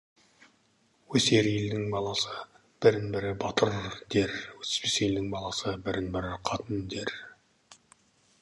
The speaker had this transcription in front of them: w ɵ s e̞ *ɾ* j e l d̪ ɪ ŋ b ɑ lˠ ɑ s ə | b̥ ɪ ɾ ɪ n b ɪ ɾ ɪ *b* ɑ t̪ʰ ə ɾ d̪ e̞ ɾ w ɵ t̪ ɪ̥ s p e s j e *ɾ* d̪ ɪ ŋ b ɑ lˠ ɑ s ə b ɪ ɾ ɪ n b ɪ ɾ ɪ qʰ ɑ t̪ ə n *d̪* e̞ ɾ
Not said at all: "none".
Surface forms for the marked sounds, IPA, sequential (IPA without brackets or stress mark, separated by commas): ɾ, b, l, d̪